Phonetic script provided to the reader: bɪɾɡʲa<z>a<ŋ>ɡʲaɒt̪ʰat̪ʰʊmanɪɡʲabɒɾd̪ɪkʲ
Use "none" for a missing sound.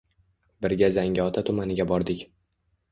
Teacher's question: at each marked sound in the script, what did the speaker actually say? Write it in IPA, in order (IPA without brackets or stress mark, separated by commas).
z, ŋ